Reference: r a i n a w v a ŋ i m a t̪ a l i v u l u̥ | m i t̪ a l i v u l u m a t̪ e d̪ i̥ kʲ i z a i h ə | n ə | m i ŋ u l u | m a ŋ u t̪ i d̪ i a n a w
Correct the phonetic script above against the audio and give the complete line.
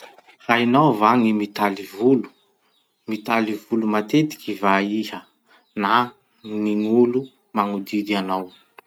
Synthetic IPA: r a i n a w v a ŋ i m i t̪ a l i v u l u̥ | m i t̪ a l i v u l u m a t̪ e t̪ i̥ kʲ i v a i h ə | n a | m i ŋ u l u | m a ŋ u d̪ i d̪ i a n a w